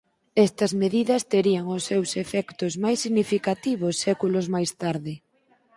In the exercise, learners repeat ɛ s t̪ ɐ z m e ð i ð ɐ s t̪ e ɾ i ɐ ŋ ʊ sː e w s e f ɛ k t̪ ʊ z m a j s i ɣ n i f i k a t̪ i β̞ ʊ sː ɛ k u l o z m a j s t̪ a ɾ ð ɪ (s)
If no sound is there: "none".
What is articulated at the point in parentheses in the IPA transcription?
none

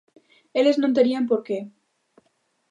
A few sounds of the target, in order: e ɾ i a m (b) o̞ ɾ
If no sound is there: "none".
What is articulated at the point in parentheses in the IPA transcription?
p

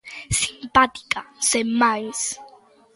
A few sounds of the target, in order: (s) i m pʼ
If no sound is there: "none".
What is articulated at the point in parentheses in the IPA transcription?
s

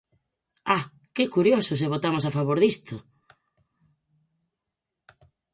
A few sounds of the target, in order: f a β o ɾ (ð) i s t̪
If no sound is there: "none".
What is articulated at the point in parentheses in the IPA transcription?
ð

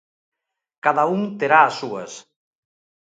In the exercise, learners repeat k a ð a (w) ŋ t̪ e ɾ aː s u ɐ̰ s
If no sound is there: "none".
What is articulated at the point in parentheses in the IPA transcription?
u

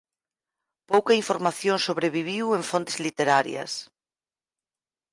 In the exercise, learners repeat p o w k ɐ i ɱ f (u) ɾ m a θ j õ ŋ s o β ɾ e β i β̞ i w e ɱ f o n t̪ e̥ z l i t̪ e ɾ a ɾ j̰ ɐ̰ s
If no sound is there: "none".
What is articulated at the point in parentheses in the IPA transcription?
o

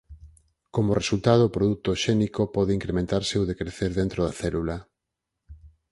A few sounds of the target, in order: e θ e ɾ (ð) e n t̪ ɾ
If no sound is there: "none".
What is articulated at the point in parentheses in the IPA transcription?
ð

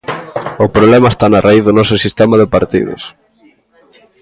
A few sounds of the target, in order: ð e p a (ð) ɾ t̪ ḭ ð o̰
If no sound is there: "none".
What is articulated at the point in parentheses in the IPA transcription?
none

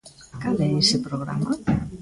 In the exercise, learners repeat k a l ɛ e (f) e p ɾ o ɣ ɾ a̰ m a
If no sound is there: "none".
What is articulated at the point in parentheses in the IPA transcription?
s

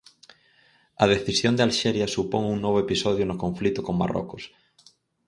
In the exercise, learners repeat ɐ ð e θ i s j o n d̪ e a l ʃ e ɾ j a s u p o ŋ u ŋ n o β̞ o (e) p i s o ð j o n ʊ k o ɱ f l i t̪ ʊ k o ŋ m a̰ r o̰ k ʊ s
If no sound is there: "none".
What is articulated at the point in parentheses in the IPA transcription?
e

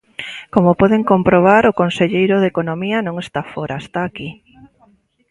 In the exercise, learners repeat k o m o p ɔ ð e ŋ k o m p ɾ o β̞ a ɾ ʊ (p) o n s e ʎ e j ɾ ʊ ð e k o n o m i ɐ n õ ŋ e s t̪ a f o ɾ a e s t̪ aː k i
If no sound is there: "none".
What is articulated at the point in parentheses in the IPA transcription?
k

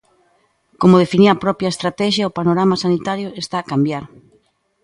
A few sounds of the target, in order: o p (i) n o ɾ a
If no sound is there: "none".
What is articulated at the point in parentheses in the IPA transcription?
a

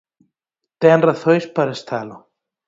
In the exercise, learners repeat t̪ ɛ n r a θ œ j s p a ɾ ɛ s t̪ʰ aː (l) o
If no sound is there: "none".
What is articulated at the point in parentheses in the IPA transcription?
l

